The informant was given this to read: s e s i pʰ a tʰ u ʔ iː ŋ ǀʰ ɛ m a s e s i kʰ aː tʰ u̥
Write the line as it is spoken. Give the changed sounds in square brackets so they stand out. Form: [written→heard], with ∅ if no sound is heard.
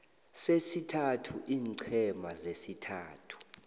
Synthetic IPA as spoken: s e s i [pʰ→tʰ] a tʰ u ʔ iː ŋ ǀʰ ɛ m a [s→z] e s i [kʰ→tʰ] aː tʰ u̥